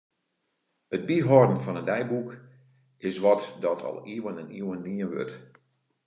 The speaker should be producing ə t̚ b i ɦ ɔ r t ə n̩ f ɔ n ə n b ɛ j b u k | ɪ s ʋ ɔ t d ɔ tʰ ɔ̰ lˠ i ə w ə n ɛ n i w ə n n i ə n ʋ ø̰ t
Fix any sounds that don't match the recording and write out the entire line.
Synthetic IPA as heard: ə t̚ b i ɦ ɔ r d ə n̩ f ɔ n ə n d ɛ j b u k | ɪ s ʋ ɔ t d ɔ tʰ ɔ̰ lˠ i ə w ə n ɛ n i w ə n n i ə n ʋ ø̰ t